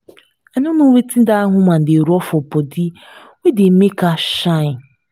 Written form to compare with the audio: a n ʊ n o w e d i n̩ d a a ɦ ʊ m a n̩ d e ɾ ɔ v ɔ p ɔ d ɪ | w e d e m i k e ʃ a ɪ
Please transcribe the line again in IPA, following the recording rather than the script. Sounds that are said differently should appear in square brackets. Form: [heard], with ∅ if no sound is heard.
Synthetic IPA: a n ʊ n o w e [t] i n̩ d a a ɦ ʊ m a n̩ d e ɾ ɔ [f] ɔ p ɔ d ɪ | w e d e m [e] k [a] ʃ a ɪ